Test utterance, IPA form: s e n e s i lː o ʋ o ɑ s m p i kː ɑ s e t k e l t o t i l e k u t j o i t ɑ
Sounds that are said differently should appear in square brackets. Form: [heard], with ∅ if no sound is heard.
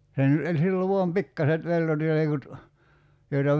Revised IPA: s e n e s i lː o ʋ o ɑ [∅] m p i kː ɑ s e t [p] e l t o t i l e k u t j o i t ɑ